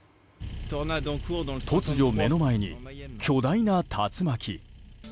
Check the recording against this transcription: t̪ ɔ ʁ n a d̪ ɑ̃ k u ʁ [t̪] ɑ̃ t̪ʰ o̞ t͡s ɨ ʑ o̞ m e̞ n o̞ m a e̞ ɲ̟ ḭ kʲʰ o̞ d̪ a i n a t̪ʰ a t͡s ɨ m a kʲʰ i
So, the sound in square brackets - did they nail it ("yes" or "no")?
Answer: no